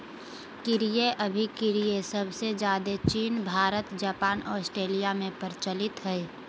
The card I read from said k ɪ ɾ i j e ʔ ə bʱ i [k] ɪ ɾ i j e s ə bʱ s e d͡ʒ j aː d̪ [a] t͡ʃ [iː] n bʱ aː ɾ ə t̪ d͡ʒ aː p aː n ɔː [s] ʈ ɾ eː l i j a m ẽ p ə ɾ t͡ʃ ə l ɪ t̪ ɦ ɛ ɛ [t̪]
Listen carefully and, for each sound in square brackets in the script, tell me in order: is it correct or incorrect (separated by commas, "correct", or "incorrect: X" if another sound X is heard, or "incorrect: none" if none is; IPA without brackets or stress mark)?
correct, incorrect: e, correct, correct, incorrect: none